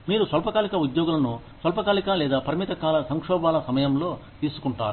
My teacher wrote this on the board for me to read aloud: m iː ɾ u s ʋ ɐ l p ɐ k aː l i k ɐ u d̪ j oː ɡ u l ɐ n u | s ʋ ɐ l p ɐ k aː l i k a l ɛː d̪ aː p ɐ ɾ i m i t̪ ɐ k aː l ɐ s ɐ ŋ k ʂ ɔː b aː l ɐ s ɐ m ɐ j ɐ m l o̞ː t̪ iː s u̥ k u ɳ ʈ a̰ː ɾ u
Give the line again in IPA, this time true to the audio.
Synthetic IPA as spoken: m iː ɾ u s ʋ ɐ l p ɐ k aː l i k ɐ u d̪ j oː ɡ u l ɐ n u | s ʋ ɐ l p ɐ k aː l i k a l ɛː d̪ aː p ɐ ɾ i m i t̪ ɐ k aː l ɐ s ɐ ŋ k ʂ ɔː b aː l ɐ s ɐ m ɐ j ɐ m l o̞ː t̪ iː s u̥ k u ɳ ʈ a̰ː ɾ u